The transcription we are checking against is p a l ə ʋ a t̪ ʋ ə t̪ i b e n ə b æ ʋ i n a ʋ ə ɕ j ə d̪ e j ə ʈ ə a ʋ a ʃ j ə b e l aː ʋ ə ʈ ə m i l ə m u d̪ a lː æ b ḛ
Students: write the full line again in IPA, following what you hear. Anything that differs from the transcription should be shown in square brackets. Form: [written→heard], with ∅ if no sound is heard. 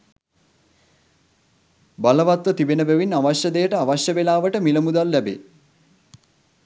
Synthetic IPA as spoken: [p→b] a l ə ʋ a t̪ ʋ ə t̪ i b e n ə b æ ʋ i n a ʋ [ə→a] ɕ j ə d̪ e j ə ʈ ə a ʋ a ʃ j ə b e l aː ʋ ə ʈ ə m i l ə m u d̪ a lː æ b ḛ